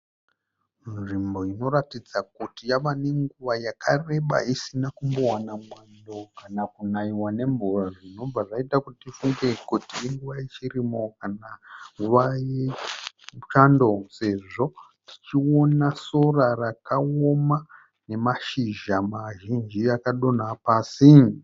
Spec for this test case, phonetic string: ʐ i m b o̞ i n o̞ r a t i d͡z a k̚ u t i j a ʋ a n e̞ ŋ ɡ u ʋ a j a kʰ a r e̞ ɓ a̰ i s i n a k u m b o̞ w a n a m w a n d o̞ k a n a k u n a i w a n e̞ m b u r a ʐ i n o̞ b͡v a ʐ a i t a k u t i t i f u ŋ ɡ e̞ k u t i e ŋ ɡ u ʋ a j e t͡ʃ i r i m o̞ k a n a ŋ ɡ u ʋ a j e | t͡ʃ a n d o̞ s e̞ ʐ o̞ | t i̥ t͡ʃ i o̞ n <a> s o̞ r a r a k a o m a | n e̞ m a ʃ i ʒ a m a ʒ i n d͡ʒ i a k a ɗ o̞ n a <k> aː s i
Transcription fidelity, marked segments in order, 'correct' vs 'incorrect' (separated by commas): correct, incorrect